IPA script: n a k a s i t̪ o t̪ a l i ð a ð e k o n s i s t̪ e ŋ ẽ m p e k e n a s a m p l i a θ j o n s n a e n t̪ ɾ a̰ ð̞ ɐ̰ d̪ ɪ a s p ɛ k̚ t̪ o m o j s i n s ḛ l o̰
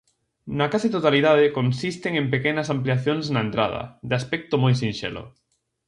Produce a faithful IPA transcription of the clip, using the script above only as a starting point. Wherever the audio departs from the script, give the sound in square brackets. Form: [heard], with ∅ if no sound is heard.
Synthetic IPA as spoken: n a k a s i t̪ o t̪ a l i ð a ð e k o n s i s t̪ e ŋ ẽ m p e k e n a s a m p l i a θ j o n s n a e n t̪ ɾ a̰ ð̞ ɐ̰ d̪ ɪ a s p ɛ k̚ t̪ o m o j s i n [ʃ] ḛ l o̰